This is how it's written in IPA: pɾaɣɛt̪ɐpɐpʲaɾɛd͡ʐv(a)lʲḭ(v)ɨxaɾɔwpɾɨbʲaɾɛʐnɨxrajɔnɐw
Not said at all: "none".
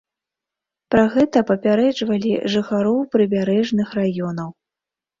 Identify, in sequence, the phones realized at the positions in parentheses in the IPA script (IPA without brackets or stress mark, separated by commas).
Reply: ɐ, ʐ